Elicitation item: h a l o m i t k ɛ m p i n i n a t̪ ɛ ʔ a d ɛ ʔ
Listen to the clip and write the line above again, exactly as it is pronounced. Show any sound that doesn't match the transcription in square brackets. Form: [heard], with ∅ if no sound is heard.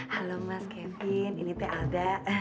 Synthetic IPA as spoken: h a l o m [a] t k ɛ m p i n i n [i] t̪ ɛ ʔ a d [a] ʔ